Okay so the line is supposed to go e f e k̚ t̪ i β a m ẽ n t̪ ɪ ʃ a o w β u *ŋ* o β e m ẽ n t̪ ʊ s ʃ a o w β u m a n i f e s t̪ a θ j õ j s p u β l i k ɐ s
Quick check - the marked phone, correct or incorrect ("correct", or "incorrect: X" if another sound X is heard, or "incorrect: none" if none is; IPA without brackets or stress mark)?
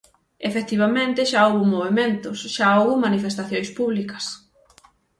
incorrect: m